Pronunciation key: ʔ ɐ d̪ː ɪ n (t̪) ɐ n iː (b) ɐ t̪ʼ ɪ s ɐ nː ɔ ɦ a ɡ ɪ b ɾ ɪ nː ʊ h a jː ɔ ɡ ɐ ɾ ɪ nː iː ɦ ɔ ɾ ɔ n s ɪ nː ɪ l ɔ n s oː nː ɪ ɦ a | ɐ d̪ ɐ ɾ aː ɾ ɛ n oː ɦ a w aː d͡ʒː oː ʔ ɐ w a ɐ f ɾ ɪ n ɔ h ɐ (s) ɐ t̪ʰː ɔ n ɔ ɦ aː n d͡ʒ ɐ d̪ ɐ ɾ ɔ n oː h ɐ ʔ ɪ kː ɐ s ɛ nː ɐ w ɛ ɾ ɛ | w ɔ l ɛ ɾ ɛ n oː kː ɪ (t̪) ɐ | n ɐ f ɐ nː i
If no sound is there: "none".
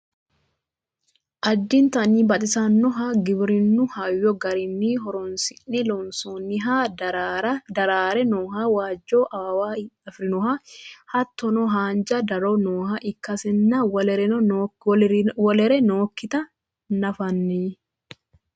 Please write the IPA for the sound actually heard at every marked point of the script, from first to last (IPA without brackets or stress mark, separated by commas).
t̪, b, h, t̪